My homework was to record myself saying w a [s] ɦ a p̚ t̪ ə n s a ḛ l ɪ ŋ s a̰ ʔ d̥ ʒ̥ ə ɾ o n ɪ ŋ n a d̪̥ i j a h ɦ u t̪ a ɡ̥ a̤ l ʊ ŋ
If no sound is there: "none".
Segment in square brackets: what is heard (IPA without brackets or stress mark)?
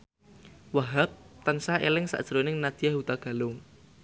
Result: none